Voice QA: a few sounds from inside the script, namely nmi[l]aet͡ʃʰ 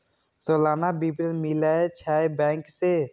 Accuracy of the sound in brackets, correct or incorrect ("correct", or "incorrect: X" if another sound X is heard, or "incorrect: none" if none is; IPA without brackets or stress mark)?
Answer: correct